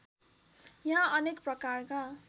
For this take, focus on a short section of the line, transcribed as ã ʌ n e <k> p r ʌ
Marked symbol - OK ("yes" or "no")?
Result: yes